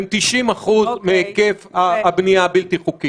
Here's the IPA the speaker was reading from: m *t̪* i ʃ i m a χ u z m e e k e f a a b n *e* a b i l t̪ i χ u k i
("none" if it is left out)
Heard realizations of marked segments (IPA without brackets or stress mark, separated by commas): t̪, i